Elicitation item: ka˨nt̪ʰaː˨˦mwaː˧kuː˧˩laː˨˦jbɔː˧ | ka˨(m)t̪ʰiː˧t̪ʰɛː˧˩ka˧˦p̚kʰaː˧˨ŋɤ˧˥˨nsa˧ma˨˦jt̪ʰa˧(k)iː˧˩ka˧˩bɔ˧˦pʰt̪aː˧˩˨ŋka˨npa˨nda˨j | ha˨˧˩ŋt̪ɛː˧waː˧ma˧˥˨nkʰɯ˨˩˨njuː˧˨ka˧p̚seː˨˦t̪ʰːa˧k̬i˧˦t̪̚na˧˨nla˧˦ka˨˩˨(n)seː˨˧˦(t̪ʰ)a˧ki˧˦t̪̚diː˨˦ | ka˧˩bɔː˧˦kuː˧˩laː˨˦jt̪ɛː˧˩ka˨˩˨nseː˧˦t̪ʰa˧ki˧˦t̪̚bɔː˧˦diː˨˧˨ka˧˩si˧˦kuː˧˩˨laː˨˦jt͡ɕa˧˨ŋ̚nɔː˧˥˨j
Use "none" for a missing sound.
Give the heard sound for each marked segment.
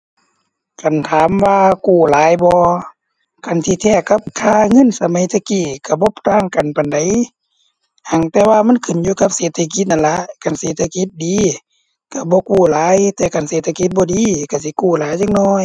n, k, n, t̪ʰ

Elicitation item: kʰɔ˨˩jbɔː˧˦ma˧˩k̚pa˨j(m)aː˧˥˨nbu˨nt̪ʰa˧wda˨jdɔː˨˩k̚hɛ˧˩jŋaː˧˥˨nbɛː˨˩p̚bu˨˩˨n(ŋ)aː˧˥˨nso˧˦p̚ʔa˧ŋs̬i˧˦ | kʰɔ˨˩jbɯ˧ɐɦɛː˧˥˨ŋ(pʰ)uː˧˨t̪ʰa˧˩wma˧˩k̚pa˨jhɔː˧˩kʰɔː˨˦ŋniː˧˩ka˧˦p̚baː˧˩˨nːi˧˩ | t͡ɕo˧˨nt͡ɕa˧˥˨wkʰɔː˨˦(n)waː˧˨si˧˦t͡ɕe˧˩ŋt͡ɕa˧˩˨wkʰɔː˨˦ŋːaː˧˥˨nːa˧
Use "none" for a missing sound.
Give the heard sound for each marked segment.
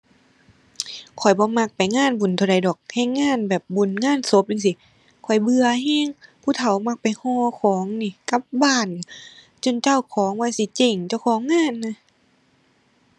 ŋ, ŋ, pʰ, ŋ

